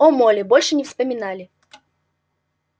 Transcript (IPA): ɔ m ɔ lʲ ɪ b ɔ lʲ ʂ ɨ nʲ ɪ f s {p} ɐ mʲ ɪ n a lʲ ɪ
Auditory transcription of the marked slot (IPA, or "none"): p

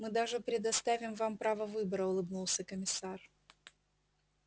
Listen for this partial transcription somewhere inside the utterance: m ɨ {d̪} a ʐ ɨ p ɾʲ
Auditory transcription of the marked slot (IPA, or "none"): d̪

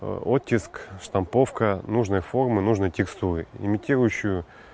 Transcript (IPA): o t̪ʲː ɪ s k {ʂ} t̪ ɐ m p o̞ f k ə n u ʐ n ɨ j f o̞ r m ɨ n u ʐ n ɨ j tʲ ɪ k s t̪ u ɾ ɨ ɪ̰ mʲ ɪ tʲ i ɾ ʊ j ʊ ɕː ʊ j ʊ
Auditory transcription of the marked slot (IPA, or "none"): ʂ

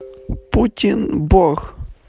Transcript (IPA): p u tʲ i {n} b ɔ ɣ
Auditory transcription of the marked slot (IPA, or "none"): n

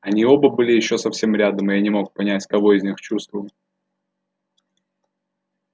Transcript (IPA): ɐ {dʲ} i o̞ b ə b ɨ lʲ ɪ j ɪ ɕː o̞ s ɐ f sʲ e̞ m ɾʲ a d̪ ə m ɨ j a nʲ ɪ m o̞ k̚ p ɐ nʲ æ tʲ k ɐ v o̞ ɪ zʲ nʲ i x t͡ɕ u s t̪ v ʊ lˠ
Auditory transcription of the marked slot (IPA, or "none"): nʲ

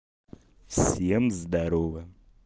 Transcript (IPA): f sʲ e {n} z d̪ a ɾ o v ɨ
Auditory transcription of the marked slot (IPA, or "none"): m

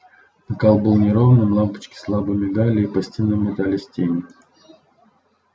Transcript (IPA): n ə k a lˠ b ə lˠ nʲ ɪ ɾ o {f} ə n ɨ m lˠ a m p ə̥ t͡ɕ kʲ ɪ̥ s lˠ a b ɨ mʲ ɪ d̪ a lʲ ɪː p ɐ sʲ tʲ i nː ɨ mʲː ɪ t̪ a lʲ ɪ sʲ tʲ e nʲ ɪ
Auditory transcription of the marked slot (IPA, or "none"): v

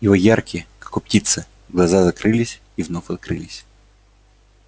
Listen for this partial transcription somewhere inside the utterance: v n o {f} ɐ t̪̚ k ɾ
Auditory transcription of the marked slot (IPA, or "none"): f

